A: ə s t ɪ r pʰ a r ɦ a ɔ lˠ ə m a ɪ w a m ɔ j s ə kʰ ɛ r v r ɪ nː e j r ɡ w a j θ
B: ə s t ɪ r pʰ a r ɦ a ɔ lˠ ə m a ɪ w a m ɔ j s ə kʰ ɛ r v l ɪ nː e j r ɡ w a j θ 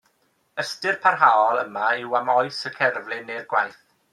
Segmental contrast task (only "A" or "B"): B